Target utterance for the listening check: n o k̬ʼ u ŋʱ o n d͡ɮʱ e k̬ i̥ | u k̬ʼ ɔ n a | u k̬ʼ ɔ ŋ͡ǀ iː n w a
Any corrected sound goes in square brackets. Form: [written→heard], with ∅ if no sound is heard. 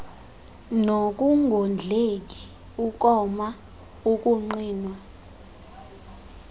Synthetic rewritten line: n o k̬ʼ u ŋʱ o n d͡ɮʱ e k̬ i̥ | u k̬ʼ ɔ [n→m] a | u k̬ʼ [ɔ→u] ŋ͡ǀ iː n w a